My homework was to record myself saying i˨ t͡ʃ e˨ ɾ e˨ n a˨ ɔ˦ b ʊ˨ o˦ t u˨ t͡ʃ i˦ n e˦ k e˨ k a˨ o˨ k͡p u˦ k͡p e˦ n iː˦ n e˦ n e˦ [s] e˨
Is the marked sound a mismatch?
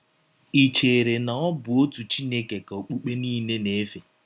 yes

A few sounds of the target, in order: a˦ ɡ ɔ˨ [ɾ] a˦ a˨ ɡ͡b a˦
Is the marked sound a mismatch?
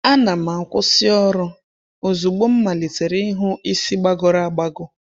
no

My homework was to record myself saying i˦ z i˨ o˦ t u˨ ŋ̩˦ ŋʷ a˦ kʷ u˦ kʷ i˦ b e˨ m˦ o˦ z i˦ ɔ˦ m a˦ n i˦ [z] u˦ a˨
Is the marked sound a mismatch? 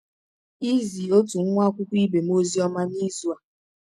no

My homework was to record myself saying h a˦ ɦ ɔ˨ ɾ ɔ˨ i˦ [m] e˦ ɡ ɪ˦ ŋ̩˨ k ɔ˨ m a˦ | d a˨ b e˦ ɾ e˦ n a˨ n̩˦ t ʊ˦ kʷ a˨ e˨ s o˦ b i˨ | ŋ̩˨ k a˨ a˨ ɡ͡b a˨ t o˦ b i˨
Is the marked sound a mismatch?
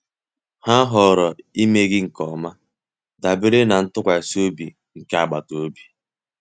no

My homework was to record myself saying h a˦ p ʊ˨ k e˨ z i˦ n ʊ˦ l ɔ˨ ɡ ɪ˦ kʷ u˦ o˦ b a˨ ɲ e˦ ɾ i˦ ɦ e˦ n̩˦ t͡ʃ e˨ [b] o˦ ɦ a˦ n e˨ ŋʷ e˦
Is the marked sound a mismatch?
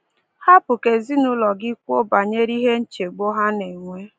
yes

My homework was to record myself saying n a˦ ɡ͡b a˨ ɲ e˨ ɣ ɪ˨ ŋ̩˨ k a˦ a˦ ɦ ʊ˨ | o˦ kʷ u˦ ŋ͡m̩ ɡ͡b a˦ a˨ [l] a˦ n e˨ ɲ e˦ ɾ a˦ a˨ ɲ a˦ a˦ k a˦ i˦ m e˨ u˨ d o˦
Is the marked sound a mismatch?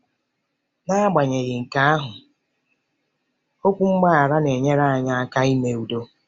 yes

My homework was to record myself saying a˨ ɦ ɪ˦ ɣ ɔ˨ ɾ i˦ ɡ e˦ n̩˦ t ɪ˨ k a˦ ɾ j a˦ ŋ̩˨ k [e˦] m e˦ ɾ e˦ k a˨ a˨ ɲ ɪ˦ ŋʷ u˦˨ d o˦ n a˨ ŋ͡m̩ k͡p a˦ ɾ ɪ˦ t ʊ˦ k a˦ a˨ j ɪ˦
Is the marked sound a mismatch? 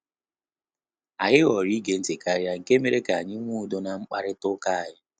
no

